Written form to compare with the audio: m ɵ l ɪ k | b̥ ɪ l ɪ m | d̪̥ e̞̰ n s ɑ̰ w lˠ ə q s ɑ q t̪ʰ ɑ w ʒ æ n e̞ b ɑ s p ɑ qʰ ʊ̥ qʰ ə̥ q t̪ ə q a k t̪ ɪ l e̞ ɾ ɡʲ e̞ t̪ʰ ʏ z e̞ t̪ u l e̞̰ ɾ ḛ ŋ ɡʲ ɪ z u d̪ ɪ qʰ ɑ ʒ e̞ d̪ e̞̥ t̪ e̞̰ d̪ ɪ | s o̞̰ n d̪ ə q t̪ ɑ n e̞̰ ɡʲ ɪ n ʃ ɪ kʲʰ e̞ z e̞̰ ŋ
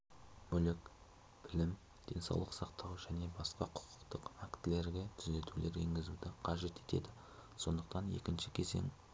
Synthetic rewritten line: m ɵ l ɪ k | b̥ ɪ l ɪ m | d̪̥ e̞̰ n s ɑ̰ w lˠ ə q s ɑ q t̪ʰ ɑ w ʒ æ n e̞ b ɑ s q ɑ qʰ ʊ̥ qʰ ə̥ q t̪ ə q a k t̪ ɪ l e̞ ɾ ɡʲ e̞ t̪ʰ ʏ z e̞ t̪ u l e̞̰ ɾ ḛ ŋ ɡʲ ɪ z u d̪ ɪ qʰ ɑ ʒ e̞ t̪ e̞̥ t̪ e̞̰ d̪ ɪ | s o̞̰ n d̪ ə q t̪ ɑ n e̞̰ kʲ ɪ n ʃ ɪ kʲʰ e̞ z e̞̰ ŋ